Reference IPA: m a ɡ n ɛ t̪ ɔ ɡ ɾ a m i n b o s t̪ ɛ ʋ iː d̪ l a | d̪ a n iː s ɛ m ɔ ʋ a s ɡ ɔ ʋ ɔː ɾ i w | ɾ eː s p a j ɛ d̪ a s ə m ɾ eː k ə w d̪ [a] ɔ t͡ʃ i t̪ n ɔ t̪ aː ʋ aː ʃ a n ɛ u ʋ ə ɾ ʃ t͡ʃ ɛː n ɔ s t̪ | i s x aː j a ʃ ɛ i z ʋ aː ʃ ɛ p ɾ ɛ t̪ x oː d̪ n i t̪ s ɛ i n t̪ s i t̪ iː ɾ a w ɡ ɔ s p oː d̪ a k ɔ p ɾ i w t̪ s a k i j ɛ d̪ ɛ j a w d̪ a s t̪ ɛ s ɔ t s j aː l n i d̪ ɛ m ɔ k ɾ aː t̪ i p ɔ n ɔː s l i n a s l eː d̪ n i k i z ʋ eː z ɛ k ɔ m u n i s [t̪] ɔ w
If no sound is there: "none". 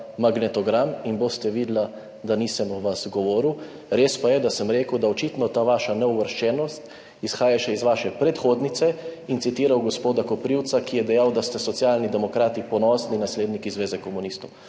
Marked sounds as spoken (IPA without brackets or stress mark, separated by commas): a, t̪